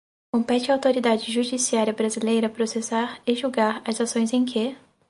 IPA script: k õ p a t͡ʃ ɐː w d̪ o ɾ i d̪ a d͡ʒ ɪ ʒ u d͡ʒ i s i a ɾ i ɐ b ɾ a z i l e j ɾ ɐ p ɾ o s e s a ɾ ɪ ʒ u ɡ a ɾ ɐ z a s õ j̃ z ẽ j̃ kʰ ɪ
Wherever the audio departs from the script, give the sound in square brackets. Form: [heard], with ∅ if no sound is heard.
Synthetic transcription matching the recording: k õ p [ɛ] t͡ʃ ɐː w [t̪] o ɾ i d̪ a d͡ʒ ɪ ʒ u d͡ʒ i s i a ɾ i ɐ b ɾ a z i l e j ɾ ɐ p ɾ o s e s a ɾ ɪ ʒ u ɡ a ɾ ɐ z a s õ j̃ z ẽ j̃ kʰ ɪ